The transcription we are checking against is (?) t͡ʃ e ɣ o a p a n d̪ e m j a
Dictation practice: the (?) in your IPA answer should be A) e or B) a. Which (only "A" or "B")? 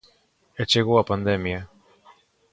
A